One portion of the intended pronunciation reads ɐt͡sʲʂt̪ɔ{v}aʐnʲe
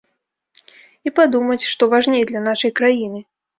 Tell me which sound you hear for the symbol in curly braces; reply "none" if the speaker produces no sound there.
v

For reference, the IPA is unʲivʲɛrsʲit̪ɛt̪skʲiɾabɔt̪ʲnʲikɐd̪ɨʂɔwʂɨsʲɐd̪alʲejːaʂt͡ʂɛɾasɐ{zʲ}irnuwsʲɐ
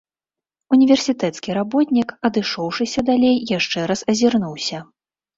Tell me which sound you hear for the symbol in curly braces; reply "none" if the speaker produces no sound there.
zʲ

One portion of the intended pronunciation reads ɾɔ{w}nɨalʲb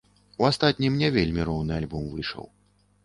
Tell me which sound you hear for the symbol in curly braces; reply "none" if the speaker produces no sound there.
w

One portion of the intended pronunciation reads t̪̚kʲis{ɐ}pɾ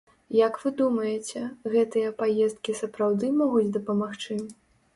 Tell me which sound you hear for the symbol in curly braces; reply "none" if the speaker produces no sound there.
ɐ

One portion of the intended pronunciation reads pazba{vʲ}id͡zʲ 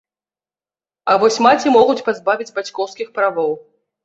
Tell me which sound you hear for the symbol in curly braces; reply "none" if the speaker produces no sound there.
vʲ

